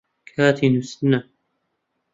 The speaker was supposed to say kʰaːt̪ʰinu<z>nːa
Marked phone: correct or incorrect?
incorrect